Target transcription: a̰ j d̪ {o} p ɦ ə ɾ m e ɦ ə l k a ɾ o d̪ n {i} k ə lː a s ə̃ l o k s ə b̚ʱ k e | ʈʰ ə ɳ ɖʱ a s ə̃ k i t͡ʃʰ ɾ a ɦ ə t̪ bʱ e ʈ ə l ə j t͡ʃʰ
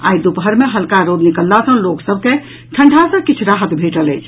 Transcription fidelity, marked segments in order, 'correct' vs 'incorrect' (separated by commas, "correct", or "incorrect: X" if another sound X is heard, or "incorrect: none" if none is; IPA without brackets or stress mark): incorrect: u, correct